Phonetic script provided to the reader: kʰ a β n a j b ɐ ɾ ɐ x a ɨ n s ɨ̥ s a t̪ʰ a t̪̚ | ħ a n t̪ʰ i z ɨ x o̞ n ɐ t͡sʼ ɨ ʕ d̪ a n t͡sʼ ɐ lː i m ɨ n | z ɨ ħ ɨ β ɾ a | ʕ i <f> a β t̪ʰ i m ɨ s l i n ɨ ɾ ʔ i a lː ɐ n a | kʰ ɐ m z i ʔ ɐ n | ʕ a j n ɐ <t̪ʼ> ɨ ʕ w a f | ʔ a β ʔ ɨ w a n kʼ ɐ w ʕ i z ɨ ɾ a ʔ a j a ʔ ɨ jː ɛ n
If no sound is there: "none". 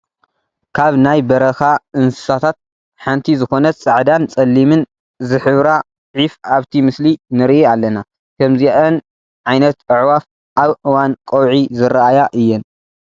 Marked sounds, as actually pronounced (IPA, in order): f, t̪

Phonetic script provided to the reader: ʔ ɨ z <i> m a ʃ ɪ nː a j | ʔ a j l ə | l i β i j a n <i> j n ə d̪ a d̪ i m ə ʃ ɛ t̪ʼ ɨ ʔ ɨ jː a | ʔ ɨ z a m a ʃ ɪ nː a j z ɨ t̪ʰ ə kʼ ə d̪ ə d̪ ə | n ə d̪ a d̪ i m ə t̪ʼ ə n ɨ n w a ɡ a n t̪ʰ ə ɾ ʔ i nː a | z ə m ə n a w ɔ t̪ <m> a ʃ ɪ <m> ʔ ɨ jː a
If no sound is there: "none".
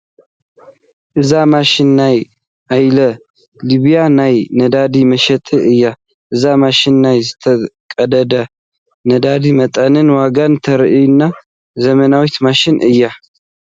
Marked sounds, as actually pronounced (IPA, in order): a, a, m, n

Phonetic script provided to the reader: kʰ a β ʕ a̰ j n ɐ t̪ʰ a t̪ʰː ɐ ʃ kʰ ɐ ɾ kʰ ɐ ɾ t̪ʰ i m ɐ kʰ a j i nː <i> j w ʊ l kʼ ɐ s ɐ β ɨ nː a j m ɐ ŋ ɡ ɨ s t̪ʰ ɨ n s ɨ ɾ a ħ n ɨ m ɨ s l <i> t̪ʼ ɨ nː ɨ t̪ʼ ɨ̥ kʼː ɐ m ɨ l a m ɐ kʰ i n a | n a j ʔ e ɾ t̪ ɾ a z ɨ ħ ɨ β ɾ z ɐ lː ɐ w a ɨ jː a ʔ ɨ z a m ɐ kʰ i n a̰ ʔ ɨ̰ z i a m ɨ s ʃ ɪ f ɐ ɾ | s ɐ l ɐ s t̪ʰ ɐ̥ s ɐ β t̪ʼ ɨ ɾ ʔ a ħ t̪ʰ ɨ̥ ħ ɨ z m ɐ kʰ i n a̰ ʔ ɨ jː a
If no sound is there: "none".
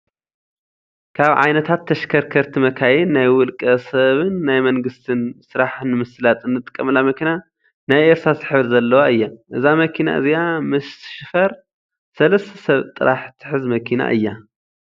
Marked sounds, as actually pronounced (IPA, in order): a, a

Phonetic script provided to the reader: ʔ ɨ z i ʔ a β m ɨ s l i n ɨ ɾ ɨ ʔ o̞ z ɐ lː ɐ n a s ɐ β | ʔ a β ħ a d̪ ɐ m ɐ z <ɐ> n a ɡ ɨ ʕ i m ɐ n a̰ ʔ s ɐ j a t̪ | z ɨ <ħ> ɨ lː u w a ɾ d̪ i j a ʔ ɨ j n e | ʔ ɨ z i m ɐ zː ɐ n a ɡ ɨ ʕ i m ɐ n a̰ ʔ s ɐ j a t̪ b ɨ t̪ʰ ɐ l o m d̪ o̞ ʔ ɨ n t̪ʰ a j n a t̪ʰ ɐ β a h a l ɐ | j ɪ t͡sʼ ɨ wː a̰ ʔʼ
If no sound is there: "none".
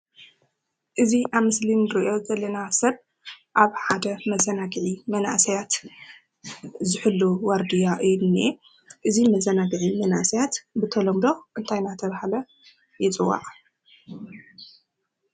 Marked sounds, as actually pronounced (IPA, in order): ɐ, ħ

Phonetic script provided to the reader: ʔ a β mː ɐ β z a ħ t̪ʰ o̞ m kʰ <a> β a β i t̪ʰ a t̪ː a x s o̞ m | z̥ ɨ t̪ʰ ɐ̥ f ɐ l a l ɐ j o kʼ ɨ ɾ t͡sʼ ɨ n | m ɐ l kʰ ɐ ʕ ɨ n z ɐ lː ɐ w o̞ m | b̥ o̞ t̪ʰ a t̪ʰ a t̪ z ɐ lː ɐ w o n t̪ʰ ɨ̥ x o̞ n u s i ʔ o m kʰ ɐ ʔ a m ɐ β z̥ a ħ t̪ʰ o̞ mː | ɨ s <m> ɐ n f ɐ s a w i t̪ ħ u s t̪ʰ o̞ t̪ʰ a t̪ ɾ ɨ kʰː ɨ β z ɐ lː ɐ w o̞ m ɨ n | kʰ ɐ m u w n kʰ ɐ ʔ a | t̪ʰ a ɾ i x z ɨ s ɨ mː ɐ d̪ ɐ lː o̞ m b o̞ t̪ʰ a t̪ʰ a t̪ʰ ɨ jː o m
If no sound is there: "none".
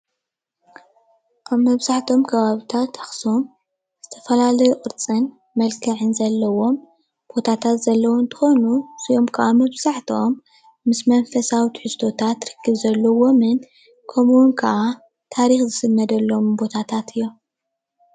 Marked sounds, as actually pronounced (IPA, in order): ɐ, m

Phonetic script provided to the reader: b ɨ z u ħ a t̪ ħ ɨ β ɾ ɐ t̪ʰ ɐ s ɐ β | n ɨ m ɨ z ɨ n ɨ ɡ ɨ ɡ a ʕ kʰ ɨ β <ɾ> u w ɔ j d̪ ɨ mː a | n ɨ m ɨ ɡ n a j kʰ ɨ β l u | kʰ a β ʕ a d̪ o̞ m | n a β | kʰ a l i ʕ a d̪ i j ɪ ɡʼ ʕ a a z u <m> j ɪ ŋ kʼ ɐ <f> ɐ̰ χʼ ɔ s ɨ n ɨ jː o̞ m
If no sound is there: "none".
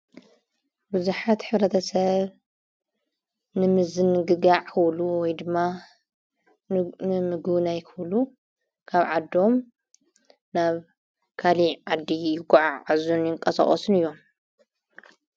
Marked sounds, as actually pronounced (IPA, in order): l, n, s

